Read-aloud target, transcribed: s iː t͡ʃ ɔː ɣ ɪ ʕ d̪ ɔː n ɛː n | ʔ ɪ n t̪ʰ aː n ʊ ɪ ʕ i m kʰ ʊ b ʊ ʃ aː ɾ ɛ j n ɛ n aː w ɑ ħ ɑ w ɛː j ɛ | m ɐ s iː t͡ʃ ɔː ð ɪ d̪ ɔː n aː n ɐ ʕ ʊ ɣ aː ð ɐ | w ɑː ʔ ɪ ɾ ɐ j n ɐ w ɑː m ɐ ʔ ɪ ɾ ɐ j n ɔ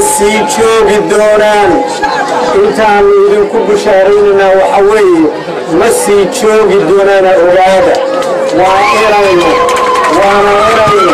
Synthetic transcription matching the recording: s iː t͡ʃ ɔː ɣ ɪ d̪ ɔː n aː n | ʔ ɪ n t̪ʰ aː n ʊ ɪ ð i ŋ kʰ ʊ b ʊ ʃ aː ɾ ɛ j n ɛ n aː w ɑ ħ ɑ w ɛː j ɛ | m ɐ s iː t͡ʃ ɔː ɣ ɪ d̪ ɔː n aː n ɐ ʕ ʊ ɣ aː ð ɐ | w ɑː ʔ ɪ ɾ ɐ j n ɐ w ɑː n ɐ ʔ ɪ ɾ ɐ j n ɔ